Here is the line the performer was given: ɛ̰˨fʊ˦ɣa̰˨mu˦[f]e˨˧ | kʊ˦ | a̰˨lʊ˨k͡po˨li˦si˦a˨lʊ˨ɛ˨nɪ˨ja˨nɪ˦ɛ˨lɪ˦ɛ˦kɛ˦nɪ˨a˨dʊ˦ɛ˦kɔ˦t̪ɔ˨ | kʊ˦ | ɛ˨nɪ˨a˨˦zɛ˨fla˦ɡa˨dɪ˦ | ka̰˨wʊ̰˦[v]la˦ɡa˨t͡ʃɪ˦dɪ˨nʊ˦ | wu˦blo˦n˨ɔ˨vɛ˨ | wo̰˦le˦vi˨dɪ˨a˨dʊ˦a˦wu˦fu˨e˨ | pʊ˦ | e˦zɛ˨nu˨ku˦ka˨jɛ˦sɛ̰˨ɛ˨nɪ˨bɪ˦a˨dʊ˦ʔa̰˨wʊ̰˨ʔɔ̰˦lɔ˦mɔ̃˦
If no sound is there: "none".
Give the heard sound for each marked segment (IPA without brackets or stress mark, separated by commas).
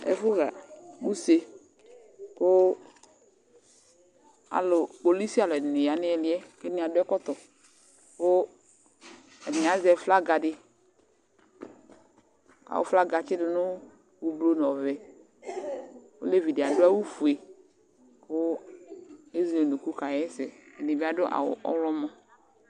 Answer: s, f